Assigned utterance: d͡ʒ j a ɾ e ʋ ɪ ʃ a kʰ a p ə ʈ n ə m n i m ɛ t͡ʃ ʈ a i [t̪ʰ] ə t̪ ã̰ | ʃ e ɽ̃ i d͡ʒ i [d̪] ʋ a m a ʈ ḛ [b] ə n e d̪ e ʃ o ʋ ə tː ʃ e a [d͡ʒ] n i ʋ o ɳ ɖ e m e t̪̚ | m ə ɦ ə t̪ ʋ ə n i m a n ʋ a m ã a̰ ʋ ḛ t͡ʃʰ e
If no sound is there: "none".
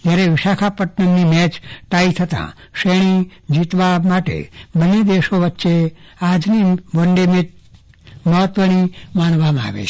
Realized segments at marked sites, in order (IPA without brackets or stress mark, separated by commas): t̪ʰ, t̪, b, d͡ʒ